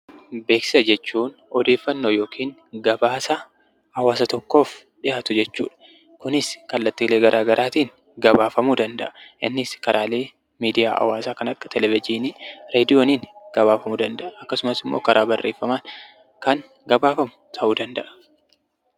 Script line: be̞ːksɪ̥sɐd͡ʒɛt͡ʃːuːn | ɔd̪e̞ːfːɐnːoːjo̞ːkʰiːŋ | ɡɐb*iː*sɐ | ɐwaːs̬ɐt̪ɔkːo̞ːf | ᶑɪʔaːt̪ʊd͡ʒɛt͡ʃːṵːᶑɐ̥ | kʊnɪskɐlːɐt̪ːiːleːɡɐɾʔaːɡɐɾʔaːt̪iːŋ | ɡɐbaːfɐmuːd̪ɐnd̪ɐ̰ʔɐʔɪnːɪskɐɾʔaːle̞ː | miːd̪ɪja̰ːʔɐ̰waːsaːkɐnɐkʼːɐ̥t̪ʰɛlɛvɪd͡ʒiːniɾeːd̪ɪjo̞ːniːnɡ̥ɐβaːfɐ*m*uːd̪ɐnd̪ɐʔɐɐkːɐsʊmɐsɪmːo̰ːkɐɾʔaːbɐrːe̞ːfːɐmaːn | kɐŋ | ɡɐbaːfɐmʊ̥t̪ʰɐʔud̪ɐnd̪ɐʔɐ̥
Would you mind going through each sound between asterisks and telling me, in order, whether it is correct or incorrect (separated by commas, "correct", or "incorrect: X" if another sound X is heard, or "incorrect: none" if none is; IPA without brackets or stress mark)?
incorrect: aː, correct